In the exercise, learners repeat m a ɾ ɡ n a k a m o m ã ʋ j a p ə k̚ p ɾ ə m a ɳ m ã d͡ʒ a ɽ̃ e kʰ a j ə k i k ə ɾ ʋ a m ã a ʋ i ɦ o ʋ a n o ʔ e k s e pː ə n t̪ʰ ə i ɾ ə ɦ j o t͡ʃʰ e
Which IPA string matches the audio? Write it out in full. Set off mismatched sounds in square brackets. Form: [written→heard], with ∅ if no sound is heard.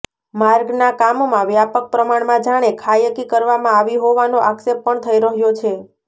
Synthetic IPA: m a ɾ ɡ n a k a m o m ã ʋ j a p ə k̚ p ɾ ə m a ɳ m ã d͡ʒ a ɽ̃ e kʰ a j ə k i k ə ɾ ʋ a m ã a ʋ i ɦ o ʋ a n o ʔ [e→a] k s e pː ə [n→ɳ] t̪ʰ ə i ɾ ə ɦ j o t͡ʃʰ e